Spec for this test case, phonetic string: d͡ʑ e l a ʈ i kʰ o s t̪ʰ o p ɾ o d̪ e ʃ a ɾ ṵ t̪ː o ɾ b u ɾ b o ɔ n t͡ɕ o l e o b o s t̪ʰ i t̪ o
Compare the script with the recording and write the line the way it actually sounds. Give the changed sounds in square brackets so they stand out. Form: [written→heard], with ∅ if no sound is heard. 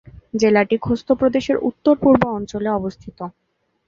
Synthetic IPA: d͡ʑ e l a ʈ i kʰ o s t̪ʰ o p ɾ o d̪ e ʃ [a→e] ɾ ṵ t̪ː o ɾ [b→p] u ɾ b o ɔ n t͡ɕ o l e [o→ɔ] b o s t̪ʰ i t̪ o